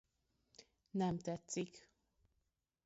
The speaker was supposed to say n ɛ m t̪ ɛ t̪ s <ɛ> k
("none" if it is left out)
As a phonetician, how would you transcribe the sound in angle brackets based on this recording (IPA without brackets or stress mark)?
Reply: i